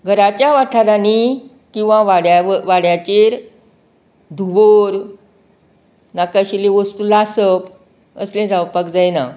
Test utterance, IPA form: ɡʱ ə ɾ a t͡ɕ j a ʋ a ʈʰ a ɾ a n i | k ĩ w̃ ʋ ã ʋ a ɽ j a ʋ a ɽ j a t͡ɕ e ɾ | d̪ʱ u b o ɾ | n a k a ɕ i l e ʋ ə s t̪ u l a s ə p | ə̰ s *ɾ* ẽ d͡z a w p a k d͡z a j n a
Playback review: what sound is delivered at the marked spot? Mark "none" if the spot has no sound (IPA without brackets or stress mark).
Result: l